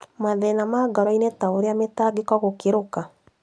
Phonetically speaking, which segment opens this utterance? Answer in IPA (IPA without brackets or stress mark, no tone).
m